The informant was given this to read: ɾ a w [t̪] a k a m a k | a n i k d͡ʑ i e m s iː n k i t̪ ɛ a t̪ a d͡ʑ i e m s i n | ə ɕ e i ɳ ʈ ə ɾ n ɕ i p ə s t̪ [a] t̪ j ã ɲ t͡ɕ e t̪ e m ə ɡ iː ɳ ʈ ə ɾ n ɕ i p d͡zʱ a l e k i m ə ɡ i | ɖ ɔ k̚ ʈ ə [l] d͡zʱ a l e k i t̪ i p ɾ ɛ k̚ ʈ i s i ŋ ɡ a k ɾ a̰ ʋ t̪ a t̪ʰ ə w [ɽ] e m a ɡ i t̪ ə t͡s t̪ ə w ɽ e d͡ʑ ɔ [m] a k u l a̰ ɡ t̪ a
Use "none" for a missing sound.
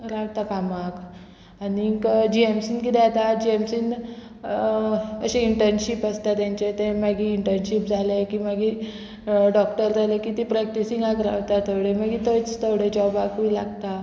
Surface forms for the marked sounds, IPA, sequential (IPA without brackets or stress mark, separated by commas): t̪, a, ɾ, ɽ, b